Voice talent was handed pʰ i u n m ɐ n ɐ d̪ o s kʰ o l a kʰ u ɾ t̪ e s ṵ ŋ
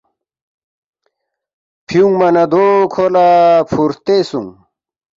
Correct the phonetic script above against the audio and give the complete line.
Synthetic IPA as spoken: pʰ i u ŋ m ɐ n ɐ d̪ o kʰ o l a pʰ u ɾ t̪ e s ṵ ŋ